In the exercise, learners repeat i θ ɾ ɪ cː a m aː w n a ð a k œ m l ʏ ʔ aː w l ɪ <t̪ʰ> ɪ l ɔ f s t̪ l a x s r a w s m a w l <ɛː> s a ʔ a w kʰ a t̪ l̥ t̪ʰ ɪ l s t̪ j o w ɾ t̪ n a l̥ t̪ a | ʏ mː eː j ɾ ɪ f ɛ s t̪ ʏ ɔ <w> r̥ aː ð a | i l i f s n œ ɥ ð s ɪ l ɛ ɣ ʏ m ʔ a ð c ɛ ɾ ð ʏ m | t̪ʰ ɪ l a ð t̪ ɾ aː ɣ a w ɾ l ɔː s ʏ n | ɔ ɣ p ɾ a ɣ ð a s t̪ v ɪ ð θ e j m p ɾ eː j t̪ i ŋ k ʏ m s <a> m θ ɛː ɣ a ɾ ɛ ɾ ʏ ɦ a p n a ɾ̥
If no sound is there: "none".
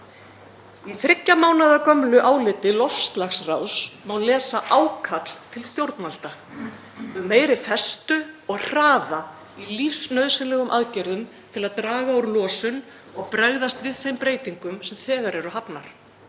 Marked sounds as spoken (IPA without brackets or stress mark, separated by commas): t̪, ɛː, ɣ, ɛ